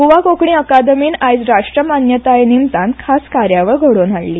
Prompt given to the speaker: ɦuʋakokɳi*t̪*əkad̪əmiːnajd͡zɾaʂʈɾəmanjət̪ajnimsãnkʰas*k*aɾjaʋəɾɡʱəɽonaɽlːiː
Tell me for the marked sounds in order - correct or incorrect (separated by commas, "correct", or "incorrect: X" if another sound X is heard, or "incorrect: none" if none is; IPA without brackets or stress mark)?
incorrect: none, correct